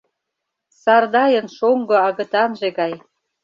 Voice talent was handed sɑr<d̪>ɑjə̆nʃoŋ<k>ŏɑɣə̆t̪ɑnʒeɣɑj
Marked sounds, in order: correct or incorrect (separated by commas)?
correct, incorrect